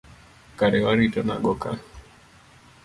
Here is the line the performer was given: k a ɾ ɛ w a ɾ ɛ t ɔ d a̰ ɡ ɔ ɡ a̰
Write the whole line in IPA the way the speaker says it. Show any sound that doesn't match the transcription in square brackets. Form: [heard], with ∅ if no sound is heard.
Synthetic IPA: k a ɾ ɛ w a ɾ [i] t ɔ [n] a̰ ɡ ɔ [k] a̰